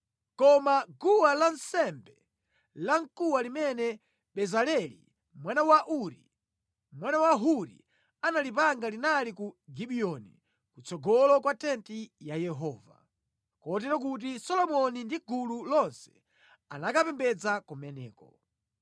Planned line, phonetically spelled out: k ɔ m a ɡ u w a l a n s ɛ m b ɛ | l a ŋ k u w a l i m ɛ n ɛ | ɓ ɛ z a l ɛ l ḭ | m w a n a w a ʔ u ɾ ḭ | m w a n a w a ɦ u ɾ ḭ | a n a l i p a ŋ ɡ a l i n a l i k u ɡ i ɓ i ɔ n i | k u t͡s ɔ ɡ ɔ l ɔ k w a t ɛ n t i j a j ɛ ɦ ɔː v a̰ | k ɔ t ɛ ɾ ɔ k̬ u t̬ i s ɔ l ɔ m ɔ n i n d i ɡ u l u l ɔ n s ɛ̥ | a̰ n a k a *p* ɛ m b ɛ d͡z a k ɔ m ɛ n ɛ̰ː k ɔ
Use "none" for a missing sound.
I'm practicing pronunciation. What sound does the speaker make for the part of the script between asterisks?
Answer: p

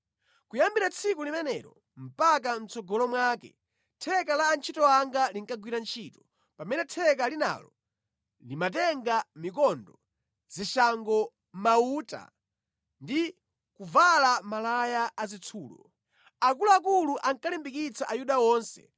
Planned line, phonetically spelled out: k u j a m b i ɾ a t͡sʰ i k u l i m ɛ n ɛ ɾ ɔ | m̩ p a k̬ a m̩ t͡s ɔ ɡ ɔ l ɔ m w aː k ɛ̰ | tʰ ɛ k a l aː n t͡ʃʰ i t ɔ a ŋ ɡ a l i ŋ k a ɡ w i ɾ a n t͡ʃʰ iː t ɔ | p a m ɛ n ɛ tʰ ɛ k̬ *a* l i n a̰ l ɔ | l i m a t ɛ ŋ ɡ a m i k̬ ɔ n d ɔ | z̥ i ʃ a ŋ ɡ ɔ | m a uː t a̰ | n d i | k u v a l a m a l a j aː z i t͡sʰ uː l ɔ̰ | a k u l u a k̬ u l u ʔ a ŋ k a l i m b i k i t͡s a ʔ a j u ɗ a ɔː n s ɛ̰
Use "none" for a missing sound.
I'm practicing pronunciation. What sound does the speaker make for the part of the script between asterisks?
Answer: a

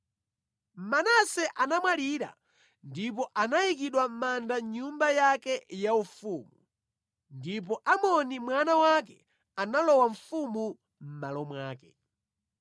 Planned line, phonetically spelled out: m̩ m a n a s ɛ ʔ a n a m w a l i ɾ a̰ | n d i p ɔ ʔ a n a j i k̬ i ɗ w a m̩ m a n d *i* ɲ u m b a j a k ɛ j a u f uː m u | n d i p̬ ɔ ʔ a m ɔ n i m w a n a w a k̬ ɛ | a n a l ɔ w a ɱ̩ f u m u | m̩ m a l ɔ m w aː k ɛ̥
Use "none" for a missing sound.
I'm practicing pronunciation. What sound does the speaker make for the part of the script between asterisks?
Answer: a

